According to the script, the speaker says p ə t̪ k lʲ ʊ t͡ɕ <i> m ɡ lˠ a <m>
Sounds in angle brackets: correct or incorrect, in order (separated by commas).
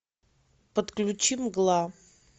correct, incorrect